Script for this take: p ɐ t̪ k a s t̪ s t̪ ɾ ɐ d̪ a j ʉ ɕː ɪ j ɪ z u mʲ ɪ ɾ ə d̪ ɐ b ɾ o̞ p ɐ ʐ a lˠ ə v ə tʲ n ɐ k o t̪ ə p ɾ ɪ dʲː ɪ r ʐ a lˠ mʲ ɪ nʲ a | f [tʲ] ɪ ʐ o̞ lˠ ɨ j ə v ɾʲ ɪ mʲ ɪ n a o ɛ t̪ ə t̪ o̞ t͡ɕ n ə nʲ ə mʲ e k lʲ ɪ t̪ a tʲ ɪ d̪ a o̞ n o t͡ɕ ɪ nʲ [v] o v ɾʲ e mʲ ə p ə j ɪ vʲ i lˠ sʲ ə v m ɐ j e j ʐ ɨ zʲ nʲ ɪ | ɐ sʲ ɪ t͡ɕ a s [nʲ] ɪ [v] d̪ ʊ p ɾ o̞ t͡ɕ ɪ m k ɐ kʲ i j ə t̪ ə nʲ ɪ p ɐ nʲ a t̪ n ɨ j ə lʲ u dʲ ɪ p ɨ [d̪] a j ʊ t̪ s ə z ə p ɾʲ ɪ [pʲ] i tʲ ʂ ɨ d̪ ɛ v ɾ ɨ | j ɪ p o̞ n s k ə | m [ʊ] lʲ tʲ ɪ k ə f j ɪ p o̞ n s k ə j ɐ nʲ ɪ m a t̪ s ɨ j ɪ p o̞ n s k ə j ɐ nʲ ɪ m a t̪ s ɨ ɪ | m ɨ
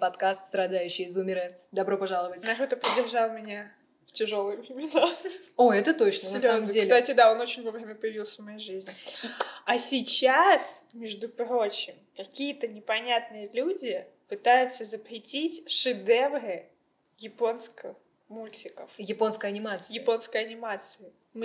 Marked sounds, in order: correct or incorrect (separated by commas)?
correct, correct, incorrect, incorrect, incorrect, incorrect, incorrect